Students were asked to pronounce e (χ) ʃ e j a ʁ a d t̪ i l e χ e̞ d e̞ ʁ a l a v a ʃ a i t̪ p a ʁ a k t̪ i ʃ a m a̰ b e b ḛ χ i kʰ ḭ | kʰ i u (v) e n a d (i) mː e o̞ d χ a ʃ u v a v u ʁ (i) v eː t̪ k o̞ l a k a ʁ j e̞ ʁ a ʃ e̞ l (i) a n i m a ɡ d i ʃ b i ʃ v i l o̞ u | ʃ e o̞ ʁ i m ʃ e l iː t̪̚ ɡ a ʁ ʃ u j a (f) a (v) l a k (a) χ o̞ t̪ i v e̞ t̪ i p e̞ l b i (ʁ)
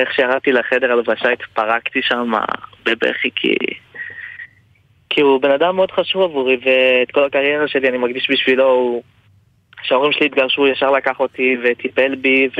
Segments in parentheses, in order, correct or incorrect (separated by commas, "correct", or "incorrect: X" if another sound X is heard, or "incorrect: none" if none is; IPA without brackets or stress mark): correct, incorrect: b, incorrect: a, correct, correct, incorrect: ʃ, incorrect: ʁ, correct, incorrect: v